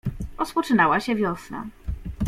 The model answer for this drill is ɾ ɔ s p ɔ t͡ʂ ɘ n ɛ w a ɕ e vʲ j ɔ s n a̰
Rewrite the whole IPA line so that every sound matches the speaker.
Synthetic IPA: ɾ ɔ s p ɔ t͡ʂ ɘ n a w a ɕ ɛ vʲ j ɔ s n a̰

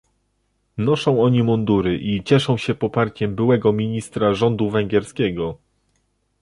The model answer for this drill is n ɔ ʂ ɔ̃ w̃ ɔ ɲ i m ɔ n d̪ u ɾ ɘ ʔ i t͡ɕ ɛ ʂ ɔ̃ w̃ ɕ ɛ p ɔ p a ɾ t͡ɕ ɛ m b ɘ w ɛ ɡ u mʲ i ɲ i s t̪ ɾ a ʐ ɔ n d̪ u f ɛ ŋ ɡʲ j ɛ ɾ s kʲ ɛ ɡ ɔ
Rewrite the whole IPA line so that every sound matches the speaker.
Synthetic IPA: n ɔ ʂ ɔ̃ w̃ ɔ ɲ i m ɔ n d̪ u ɾ ɘ ʔ i t͡ɕ ɛ ʂ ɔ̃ w̃ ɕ ɛ p ɔ p a ɾ t͡ɕ ɛ m b ɘ w ɛ ɡ ɔ mʲ i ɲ i s t̪ ɾ a ʐ ɔ n d̪ u v ɛ ŋ ɡʲ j ɛ ɾ s kʲ ɛ ɡ ɔ

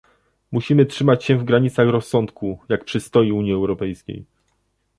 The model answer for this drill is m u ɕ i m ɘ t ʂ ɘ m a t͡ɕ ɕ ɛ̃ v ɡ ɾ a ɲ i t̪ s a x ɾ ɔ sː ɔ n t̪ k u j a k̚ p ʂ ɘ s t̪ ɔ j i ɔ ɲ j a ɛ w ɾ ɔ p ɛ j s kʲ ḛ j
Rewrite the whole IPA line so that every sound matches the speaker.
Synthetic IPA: m u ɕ i m ɘ t ʂ ɘ m a t͡ɕ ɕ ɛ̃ v ɡ ɾ a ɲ i t̪ s a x ɾ ɔ sː ɔ n t̪ k u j a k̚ p ʂ ɘ s t̪ ɔ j i u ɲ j i ɛ w ɾ ɔ p ɛ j s kʲ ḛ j

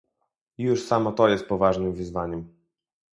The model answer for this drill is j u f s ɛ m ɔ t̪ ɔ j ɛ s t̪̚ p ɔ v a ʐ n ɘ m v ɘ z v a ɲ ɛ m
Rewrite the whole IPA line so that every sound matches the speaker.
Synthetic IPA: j u ʂ s a m ɔ t̪ ɔ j ɛ s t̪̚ p ɔ v a ʐ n ɘ m v ɘ z v a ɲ ɛ m

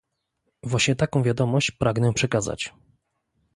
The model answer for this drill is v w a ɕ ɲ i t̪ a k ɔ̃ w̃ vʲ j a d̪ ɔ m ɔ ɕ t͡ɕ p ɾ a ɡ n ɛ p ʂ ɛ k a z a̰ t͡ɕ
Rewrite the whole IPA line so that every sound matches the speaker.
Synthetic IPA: v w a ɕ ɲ ɛ t̪ a k ɔ̃ w̃ vʲ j a d̪ ɔ m ɔ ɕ t͡ɕ p ɾ a ɡ n ɛ p ʂ ɛ k a z a̰ t͡ɕ

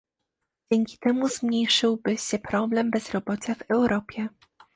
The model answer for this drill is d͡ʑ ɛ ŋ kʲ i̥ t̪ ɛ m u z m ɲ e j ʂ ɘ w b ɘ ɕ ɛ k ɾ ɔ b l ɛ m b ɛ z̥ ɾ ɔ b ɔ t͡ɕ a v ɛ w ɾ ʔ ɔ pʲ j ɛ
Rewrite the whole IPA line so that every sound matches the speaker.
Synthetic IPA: d͡ʑ ɛ ŋ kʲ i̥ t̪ ɛ m u z m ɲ e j ʂ ɘ w b ɘ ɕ ɛ p ɾ ɔ b l ɛ m b ɛ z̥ ɾ ɔ b ɔ t͡ɕ a v ɛ w ɾ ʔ ɔ pʲ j ɛ

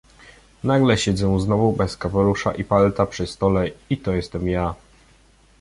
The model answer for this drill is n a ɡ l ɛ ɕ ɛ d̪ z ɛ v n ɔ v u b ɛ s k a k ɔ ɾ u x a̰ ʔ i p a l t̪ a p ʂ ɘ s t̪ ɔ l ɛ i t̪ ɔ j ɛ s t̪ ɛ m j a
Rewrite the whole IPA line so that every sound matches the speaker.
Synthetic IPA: n a ɡ l ɛ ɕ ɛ d̪ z ɛ z n ɔ v u b ɛ s k a p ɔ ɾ u ʂ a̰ ʔ i p a l t̪ a p ʂ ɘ s t̪ ɔ l ɛ i t̪ ɔ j ɛ s t̪ ɛ m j a

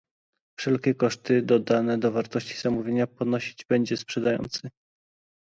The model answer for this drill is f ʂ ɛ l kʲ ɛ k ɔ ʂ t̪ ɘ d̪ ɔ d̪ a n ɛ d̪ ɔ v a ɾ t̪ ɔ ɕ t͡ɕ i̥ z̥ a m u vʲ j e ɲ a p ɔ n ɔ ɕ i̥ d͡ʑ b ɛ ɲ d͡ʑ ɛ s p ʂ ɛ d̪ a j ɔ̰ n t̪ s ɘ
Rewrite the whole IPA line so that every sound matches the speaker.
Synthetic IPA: f ʂ ɛ l kʲ ɛ k ɔ ʂ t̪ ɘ d̪ ɔ d̪ a n ɛ d̪ ɔ v a ɾ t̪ ɔ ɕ t͡ɕ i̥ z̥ a m u vʲ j e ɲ a p ɔ n ɔ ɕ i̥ d͡ʑ b ɛ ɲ d͡ʑ ɛ s p ʂ ɛ d̪ a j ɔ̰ n t̪ s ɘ

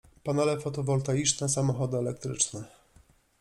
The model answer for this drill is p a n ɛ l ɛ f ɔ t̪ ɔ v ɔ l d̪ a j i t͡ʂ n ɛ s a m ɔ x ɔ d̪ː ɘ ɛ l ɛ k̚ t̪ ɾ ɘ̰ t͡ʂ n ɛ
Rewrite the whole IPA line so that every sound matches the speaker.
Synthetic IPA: p a n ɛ l ɛ f ɔ t̪ ɔ v ɔ l t̪ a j i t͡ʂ n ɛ s a m ɔ x ɔ d̪ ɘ ɛ l ɛ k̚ t̪ ɾ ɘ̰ t͡ʂ n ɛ

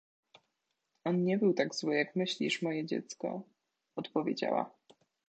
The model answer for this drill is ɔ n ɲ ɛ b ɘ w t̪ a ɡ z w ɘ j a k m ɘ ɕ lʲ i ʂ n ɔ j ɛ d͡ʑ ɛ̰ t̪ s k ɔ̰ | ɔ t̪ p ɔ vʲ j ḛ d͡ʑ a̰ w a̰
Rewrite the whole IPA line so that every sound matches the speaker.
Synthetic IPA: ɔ n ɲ ɛ b ɘ w t̪ a ɡ z w ɘ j a k m ɘ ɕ lʲ i ʂ m ɔ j ɛ d͡ʑ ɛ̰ t̪ s k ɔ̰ | ɔ t̪ p ɔ vʲ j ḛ d͡ʑ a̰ w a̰

